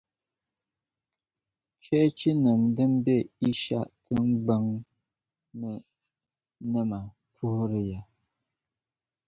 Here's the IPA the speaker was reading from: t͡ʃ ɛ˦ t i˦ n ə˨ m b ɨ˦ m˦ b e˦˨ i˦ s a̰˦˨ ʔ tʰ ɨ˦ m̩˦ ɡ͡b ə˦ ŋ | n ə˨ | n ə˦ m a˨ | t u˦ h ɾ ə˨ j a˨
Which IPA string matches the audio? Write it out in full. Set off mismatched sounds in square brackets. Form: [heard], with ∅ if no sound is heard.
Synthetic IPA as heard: t͡ʃ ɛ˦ [t͡ʃ] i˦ n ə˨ m [d] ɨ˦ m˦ b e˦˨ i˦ [ʃ] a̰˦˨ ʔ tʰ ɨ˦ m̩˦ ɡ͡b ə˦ ŋ | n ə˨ | n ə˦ m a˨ | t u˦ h ɾ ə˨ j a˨